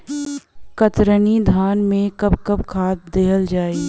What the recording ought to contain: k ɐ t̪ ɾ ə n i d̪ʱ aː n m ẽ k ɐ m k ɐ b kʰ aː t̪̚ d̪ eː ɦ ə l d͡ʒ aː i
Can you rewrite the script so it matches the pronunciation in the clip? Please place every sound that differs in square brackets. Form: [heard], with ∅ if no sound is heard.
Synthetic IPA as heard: k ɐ t̪ ɾ ə n i d̪ʱ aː n m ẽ k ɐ [b] k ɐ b kʰ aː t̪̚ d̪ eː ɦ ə l d͡ʒ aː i